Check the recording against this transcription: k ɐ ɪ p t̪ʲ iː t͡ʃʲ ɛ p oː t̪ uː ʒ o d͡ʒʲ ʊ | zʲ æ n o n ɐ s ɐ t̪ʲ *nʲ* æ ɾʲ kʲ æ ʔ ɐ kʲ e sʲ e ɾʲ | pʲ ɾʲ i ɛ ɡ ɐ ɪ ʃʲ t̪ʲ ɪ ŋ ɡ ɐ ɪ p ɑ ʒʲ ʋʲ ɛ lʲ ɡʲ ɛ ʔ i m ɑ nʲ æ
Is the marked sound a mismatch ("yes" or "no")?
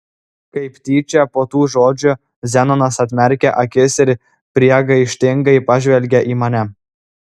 yes